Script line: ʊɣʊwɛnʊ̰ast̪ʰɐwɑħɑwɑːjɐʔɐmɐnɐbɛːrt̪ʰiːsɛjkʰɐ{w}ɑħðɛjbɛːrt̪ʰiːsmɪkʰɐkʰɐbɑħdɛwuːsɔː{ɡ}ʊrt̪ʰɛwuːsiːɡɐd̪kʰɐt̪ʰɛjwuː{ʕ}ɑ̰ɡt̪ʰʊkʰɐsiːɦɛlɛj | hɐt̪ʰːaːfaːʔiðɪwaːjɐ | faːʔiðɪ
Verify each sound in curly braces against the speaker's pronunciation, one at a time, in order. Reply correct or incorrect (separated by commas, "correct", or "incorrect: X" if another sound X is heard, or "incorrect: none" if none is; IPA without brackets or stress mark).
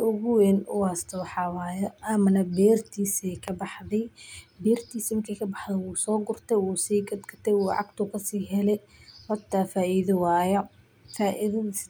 incorrect: b, correct, correct